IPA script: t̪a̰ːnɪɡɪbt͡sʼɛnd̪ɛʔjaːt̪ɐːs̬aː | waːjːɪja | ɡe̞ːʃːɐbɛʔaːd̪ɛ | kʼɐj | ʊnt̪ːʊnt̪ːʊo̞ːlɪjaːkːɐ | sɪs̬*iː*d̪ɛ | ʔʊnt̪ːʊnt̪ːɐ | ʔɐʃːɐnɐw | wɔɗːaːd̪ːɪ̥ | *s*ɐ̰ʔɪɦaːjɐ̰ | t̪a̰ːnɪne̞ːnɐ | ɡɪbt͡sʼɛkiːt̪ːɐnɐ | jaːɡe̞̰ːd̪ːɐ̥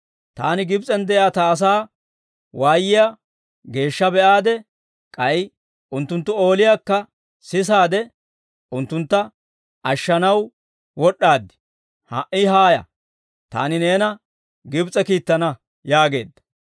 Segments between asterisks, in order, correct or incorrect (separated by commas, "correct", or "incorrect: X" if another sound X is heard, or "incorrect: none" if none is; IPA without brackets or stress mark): incorrect: aː, incorrect: h